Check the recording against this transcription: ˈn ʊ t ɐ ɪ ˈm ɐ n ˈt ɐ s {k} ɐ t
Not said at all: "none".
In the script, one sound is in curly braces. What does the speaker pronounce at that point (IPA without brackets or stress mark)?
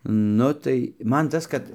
k